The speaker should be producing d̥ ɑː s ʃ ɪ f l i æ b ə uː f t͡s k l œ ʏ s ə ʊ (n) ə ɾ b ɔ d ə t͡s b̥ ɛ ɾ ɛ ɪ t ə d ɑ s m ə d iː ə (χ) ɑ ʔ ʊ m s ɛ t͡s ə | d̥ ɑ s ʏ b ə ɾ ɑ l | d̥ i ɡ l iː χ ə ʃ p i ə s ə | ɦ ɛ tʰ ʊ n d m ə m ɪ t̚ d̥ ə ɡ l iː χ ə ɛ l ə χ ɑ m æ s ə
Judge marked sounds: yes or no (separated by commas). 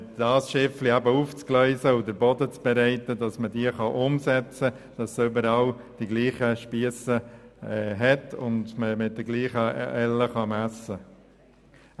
no, yes